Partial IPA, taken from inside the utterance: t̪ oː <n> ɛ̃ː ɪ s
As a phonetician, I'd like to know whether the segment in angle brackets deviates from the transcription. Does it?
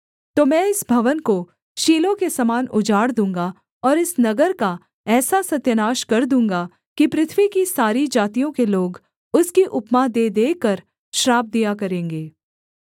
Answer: yes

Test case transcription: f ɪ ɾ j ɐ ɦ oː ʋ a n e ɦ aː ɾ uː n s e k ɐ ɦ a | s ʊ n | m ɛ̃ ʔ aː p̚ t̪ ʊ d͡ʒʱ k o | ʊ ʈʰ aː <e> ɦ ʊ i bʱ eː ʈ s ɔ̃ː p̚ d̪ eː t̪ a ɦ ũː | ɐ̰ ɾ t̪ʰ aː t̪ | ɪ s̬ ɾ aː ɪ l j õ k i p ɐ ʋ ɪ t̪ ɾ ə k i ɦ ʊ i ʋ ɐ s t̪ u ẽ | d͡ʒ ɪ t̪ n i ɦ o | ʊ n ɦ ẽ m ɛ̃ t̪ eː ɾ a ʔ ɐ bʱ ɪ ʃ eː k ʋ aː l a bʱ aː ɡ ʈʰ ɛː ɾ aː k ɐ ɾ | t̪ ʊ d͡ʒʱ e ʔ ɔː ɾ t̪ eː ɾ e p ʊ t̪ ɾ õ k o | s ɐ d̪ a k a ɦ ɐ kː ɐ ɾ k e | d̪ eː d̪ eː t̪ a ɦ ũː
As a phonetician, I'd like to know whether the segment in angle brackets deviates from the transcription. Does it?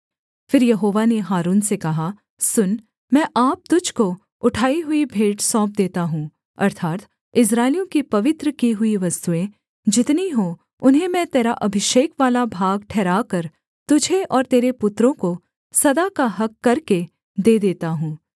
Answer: yes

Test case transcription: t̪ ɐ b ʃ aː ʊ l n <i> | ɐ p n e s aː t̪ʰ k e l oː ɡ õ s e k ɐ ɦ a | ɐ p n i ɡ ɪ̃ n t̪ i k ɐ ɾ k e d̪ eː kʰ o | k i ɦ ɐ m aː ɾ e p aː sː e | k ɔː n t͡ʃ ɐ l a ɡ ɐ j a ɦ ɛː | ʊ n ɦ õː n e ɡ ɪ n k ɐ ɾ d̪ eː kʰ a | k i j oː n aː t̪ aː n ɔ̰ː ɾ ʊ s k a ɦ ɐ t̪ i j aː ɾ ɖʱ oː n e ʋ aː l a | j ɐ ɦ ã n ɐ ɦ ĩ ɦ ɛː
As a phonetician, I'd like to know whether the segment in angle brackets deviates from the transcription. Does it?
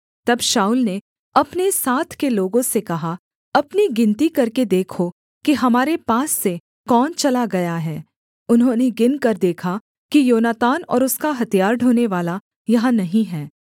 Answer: yes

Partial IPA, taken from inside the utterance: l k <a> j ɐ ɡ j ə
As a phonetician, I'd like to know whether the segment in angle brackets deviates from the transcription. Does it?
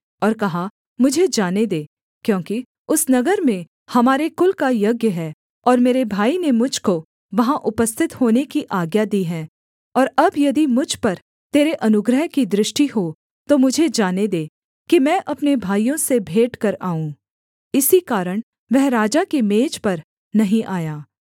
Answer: no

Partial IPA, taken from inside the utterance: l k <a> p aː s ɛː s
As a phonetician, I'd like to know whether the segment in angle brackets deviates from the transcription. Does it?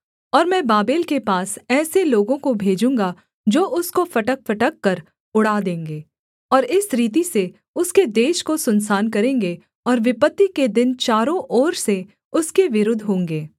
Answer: yes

